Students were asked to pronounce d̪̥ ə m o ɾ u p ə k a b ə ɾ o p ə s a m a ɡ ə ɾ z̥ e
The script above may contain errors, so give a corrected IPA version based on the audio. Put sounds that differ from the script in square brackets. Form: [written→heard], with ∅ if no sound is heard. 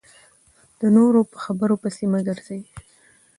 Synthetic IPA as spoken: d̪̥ ə [m→n] o ɾ [u→o] p ə [k→x] a b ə ɾ o p ə s [a→i] m a ɡ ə ɾ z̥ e